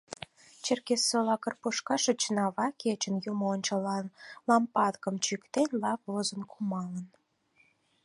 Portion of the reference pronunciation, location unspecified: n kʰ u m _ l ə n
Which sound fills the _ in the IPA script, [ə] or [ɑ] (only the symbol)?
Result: ɑ